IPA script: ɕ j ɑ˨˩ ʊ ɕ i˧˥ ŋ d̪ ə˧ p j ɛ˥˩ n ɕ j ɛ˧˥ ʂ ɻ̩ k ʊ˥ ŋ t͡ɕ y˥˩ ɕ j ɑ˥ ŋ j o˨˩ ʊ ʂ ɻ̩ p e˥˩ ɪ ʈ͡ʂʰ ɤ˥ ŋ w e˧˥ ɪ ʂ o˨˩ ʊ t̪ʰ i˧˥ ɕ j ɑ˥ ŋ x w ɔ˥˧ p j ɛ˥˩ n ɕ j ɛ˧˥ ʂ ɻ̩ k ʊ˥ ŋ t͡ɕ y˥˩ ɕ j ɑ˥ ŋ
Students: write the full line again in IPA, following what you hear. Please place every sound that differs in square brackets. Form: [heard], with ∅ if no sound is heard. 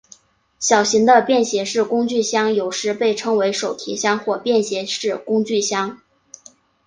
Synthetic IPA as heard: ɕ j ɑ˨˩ ʊ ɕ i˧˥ ŋ d̪ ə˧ p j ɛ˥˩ n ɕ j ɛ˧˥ ʂ ɻ̩ k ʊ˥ ŋ t͡ɕ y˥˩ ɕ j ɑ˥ ŋ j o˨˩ ʊ ʂ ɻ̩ p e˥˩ ɪ ʈ͡ʂʰ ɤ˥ ŋ w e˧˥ ɪ ʂ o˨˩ ʊ t̪ʰ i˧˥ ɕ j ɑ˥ ŋ x w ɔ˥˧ p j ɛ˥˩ n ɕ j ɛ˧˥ ʂ ɻ̩ k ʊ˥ ŋ t͡ɕ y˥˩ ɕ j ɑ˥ ŋ

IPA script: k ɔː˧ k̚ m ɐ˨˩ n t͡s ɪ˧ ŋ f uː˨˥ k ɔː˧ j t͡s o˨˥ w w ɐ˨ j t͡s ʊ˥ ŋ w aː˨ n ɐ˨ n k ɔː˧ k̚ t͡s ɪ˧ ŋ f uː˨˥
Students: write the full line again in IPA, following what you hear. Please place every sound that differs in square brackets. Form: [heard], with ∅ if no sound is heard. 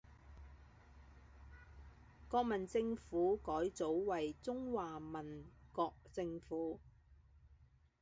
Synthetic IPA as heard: k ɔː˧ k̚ m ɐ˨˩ n t͡s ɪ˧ ŋ f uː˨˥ k [ɔː˨˥] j t͡s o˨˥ w w ɐ˨ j t͡s ʊ˥ ŋ w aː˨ [m] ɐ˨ n k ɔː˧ k̚ t͡s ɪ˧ ŋ f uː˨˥

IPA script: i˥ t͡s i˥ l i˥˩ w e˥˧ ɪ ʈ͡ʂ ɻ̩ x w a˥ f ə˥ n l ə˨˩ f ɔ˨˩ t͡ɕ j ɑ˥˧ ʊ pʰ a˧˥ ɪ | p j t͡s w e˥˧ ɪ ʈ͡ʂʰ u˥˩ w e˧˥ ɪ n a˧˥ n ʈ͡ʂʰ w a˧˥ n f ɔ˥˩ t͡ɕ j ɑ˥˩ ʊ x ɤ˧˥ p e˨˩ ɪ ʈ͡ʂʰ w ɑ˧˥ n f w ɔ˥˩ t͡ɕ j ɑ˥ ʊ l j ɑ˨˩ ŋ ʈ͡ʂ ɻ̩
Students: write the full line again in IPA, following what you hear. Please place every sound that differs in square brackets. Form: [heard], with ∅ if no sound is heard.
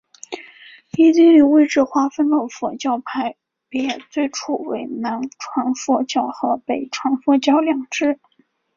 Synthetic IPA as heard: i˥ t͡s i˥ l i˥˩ w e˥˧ ɪ ʈ͡ʂ ɻ̩ x w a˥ f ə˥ n l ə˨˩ f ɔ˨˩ t͡ɕ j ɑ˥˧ ʊ pʰ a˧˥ ɪ | p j t͡s w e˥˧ ɪ ʈ͡ʂʰ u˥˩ w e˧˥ ɪ n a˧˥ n ʈ͡ʂʰ w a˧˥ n f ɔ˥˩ t͡ɕ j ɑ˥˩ ʊ x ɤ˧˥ p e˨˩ ɪ ʈ͡ʂʰ w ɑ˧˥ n f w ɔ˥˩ t͡ɕ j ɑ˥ ʊ l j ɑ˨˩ ŋ ʈ͡ʂ ɻ̩

